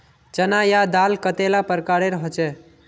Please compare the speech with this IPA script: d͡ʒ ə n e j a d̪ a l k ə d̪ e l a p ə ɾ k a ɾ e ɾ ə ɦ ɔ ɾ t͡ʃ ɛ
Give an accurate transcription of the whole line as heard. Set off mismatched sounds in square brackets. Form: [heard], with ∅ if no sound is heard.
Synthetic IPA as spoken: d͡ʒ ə n [a] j a d̪ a l k ə [t̪] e l a p ə ɾ k a ɾ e ɾ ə ɦ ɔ [∅] t͡ʃ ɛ